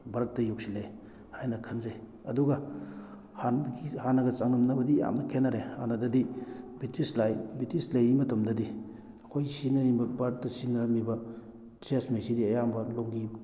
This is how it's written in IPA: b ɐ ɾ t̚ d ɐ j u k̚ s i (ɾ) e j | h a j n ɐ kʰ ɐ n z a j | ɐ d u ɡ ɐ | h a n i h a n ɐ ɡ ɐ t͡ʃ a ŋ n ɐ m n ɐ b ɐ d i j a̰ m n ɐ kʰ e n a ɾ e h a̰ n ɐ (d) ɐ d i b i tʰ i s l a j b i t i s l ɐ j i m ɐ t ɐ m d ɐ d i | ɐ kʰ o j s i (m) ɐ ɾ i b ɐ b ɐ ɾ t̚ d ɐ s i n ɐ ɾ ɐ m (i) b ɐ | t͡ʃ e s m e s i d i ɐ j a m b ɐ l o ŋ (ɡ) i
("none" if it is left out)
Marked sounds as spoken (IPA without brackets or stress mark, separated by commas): l, d, n, i, ɡ